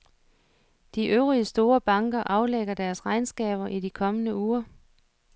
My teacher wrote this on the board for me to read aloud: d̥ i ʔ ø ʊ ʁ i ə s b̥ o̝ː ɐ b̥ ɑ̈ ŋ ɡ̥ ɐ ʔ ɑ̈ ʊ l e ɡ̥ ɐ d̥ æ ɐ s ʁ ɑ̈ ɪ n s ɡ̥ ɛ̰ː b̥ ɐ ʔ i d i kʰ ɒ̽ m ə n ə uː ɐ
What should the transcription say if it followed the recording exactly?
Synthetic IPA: d̥ i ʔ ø ʊ ʁ i ə s d̥ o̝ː ɐ b̥ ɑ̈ ŋ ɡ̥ ɐ ʔ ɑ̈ ʊ l e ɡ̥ ɐ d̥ æ ɐ s ʁ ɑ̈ ɪ n s ɡ̥ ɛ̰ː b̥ ɐ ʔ i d i kʰ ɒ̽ m ə n ə uː ɐ